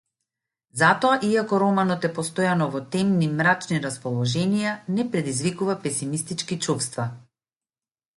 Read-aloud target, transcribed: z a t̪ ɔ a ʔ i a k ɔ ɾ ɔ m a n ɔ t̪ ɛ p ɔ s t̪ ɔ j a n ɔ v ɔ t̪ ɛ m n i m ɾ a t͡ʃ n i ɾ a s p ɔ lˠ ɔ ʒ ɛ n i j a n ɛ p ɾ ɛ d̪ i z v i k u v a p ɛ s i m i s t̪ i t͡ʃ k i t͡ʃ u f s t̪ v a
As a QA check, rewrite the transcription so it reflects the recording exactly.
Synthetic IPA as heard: z a t̪ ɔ a ʔ i a k ɔ ɾ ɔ m a n ɔ t̪ ɛ p ɔ s t̪ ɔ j a n ɔ v ɔ t̪ ɛ m n i m ɾ a t͡ʃ n i ɾ a s p ɔ lˠ ɔ ʒ ɛ n i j a n ɛ p ɾ ɛ d̪ i z v i k u v a p ɛ s i m i s t̪ i t͡ʃ k i t͡ʃ u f s t̪ v a